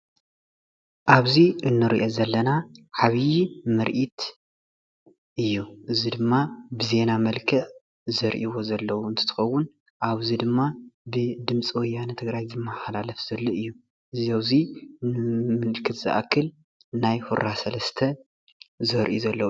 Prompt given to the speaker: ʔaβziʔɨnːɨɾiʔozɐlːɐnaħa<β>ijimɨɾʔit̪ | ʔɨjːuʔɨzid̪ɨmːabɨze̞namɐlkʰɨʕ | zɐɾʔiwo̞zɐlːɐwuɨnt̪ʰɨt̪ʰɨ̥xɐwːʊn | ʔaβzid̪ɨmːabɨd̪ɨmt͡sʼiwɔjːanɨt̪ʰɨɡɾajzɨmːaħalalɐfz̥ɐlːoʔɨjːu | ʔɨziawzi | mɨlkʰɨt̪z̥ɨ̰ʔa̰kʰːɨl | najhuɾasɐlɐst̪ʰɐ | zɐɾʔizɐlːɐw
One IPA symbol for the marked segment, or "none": β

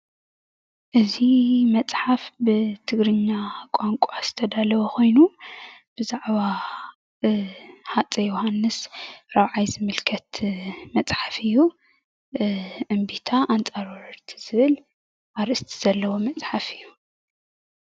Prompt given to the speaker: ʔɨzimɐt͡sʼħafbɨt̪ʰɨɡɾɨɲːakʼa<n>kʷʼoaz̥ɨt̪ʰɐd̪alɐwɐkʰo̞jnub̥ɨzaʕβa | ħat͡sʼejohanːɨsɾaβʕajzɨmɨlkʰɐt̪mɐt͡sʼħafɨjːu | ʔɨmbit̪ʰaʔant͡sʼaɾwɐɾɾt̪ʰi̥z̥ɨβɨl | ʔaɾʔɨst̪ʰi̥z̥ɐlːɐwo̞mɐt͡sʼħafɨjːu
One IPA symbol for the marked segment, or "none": ŋ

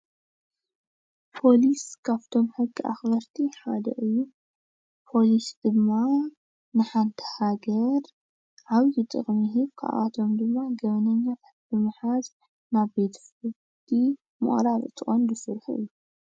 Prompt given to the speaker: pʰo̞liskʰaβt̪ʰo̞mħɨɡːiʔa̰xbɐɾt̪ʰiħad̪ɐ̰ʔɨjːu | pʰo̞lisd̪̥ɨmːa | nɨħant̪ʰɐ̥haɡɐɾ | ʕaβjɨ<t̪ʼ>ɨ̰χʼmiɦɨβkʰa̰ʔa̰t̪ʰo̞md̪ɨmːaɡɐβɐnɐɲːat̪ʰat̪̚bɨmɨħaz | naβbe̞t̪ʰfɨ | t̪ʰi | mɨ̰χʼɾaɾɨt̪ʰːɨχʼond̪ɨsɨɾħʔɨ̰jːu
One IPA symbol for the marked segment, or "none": t̪ʼ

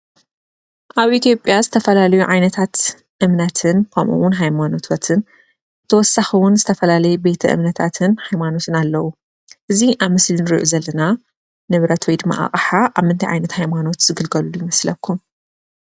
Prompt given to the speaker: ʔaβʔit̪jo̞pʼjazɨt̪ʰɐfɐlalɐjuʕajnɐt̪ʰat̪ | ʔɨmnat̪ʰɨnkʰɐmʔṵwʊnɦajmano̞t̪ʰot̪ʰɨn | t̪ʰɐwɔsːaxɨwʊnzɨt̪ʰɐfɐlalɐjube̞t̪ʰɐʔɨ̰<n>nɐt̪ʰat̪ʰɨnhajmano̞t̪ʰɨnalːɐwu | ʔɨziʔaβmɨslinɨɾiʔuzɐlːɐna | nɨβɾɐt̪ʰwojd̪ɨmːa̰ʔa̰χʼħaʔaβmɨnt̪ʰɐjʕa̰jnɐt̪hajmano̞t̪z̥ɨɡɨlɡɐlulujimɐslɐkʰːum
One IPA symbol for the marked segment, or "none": m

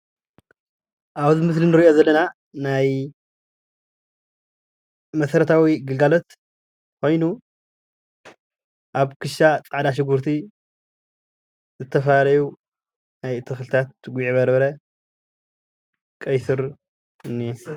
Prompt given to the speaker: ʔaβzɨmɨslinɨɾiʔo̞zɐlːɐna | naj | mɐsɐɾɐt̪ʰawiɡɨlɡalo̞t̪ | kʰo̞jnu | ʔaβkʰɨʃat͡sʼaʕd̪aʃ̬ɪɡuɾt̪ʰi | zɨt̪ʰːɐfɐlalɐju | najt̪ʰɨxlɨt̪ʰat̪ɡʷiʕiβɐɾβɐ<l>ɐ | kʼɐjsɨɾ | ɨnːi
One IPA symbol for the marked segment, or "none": ɾ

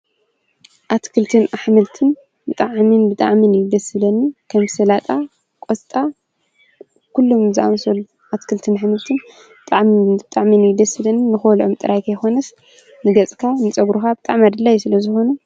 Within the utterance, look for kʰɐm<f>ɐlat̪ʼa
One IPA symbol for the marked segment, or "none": s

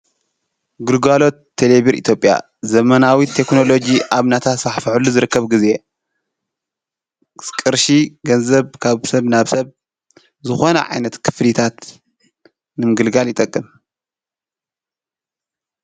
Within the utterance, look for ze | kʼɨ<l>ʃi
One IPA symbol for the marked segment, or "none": ɾ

